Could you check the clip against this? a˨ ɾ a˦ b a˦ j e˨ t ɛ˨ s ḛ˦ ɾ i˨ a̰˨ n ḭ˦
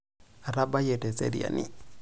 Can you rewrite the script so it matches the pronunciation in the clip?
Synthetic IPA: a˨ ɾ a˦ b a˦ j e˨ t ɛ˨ s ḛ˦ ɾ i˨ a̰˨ n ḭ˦

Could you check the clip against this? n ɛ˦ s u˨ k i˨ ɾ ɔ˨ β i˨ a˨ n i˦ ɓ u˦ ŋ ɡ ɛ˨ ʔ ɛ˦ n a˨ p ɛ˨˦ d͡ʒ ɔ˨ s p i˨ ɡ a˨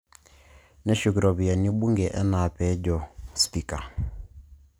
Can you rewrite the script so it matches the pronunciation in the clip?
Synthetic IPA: n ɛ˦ ʃ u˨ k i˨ ɾ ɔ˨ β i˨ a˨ n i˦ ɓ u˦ ŋ ɡ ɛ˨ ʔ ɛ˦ n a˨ p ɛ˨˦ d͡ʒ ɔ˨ s p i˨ k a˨

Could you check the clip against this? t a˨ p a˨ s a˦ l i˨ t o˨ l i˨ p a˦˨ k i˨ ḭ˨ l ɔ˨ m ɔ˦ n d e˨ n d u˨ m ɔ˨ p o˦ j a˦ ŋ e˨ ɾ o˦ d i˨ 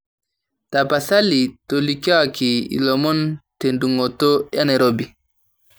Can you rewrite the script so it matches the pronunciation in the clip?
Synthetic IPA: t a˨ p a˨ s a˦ l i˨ t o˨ l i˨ k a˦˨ k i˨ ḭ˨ l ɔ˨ m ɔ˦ n t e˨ n d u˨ ŋ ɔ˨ t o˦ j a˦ n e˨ ɾ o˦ b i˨

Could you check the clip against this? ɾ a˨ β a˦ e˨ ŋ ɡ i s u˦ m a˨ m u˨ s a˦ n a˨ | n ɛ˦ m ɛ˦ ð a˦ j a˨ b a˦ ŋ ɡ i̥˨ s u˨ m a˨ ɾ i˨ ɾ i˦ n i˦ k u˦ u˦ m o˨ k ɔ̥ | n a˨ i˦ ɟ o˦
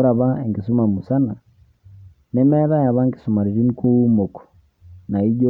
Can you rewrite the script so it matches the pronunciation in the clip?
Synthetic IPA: ɾ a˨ β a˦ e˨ ŋ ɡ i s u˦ m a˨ m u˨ s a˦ n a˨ | n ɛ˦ m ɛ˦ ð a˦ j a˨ β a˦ ŋ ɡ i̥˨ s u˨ m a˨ ɾ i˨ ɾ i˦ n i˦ k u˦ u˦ m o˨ k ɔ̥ | n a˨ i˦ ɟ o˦

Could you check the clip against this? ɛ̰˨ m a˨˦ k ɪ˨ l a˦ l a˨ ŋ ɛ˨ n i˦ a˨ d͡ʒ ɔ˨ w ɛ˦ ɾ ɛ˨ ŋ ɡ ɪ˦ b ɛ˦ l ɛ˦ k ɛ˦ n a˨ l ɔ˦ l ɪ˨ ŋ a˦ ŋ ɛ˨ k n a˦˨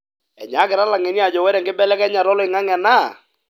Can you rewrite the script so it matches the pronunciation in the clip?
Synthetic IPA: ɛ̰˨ ɲ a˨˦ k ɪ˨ ɾ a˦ l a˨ ŋ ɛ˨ n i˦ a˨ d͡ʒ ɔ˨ w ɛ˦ ɾ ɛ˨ ŋ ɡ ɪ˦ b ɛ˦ l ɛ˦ k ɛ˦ ɲ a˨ ɾ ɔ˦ l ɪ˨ ŋ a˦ ŋ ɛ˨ n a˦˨

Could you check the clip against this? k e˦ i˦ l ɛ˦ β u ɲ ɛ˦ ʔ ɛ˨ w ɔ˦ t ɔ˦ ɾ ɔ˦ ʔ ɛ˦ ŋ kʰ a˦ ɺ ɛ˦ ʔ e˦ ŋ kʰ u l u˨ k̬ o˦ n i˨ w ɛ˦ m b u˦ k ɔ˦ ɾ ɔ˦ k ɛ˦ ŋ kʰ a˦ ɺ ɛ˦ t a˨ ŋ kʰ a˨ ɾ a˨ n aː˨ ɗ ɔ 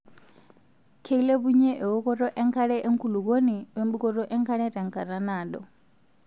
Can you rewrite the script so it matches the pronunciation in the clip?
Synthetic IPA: kʰ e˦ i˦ l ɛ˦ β u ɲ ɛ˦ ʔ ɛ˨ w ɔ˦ k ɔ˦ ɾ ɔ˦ ʔ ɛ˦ ŋ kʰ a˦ ɺ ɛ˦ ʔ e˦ ŋ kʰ u l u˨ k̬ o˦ n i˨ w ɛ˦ m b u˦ k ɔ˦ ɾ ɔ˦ ʔ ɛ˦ ŋ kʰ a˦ ɺ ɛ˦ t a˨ ŋ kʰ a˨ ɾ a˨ n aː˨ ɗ ɔ

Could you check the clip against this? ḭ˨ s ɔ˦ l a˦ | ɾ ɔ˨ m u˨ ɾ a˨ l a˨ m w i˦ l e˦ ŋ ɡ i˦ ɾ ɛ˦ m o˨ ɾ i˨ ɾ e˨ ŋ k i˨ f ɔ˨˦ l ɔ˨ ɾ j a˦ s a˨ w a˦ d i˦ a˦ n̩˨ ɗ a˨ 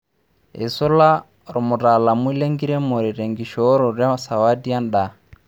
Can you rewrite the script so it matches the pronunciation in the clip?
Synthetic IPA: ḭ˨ s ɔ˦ l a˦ | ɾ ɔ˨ m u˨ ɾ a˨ l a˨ m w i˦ l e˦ ŋ ɡ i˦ ɾ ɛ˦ m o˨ ɾ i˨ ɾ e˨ ŋ ɡ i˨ ʃ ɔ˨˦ ɾ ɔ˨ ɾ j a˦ s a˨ w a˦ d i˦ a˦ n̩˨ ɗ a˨

